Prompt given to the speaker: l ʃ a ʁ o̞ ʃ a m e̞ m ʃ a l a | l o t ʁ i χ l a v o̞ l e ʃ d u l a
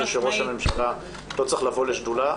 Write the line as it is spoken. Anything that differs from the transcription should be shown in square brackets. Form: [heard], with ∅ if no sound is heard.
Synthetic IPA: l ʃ [e] ʁ o̞ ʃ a m e̞ m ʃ a l a | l o [t͡s] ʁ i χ l a v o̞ l e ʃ d u l a